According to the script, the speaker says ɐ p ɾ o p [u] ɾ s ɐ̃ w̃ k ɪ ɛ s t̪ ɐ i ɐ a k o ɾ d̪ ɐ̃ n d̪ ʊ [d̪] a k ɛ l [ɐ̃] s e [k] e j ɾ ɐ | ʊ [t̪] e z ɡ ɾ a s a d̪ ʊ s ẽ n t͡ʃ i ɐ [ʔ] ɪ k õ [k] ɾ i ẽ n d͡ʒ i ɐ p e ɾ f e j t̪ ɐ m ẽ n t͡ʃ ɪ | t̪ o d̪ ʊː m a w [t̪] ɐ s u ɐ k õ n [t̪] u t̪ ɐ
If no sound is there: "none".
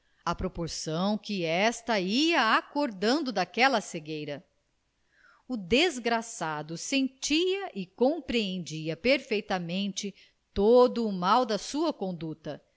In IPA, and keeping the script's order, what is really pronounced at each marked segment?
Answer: o, d̪, ɐ, ɡ, d̪, ʔ, p, d̪, d̪

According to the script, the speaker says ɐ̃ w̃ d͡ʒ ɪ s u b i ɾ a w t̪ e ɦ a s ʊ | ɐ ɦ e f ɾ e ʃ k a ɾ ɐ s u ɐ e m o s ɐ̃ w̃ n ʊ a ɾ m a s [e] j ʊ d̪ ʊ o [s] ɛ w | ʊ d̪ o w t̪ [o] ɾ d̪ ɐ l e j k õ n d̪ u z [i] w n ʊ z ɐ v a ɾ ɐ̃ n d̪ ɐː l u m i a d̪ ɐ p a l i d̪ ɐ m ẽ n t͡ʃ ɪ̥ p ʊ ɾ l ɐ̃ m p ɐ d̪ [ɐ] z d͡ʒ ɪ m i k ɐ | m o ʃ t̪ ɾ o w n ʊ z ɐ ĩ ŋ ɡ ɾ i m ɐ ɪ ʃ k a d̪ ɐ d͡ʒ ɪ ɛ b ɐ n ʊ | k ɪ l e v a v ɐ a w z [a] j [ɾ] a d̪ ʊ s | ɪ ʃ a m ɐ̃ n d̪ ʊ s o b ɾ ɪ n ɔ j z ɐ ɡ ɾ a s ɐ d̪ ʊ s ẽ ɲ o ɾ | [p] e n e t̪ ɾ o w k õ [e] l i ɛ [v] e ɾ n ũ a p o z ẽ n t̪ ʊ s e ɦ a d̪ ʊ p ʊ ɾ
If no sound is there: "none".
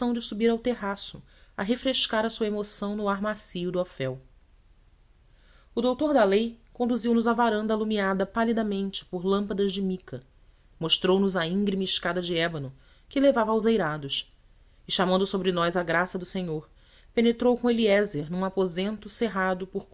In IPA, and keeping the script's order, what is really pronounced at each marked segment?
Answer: i, f, o, i, ɐ, e, ɾ, p, e, z

